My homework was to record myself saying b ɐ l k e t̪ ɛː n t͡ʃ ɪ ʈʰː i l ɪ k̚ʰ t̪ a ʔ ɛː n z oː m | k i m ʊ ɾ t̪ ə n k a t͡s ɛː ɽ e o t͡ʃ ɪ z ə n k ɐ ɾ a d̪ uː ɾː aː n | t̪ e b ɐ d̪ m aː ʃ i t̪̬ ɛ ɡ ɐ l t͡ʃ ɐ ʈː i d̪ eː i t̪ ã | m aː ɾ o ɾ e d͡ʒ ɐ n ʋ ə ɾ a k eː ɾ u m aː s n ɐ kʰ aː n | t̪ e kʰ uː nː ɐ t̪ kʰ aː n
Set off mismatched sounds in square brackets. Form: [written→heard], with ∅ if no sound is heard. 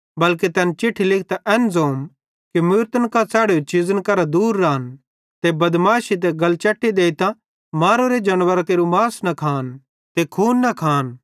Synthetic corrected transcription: b ɐ l k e t̪ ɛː n t͡ʃ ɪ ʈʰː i l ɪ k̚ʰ t̪ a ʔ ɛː n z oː m | k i m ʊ ɾ t̪ ə n k a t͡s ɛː ɽ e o t͡ʃ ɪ z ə n k ɐ ɾ a d̪ uː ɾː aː n | t̪ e b ɐ d̪ m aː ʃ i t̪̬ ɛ ɡ ɐ l t͡ʃ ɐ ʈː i d̪ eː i t̪ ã | m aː ɾ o ɾ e d͡ʒ ɐ n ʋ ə ɾ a k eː ɾ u m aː s n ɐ kʰ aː n | t̪ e kʰ uː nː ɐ [t̪→∅] kʰ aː n